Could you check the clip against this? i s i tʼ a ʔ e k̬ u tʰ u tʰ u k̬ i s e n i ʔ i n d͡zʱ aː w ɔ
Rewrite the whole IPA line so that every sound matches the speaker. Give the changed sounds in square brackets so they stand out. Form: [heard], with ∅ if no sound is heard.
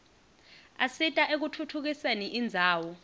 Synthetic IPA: [a] s i tʼ a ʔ e k̬ u tʰ u tʰ u k̬ i s e n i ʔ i n d͡zʱ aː w ɔ